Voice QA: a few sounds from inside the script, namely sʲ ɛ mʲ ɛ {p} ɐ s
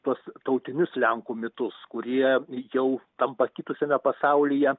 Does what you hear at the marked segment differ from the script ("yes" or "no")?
no